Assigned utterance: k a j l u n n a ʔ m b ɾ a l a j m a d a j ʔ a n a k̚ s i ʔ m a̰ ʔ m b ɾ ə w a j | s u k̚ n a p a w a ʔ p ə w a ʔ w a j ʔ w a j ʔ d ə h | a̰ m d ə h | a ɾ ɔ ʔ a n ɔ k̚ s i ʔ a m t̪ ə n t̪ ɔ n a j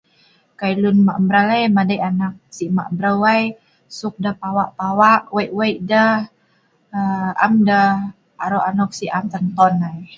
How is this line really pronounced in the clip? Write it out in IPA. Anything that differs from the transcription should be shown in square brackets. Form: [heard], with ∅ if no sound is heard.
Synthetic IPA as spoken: k a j l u n [m] a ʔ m b ɾ a l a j m a d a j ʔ a n a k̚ s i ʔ m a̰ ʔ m b ɾ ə w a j | s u k̚ [d] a p a w a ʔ p [a] w a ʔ w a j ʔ w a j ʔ d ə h | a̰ m d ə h | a ɾ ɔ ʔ a n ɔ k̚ s i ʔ a m t̪ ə n t̪ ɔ n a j